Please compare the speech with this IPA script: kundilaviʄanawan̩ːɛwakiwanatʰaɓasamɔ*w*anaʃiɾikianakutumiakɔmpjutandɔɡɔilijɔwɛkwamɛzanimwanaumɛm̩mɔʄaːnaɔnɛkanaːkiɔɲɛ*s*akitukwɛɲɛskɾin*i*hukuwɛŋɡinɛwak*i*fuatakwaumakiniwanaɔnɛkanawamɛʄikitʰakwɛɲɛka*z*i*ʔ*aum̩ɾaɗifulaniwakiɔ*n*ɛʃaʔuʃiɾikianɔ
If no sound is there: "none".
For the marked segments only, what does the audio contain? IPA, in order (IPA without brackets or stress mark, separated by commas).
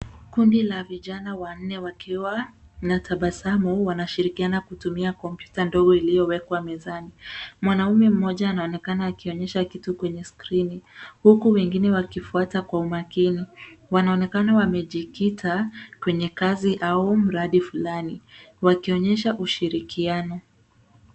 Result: w, ʃ, i, i, z, ʔ, ɲ